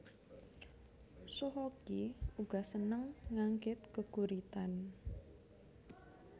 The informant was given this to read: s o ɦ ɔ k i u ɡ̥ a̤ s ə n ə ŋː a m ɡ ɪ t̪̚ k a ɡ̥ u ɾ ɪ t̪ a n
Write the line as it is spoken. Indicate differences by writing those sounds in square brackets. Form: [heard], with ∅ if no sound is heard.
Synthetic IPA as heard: s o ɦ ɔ k i u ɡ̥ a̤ s ə n ə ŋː a [ŋ] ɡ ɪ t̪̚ k [ə] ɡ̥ u ɾ [i] t̪ a n